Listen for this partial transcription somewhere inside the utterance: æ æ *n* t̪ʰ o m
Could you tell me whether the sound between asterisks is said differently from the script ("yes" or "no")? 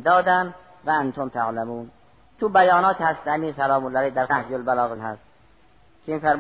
no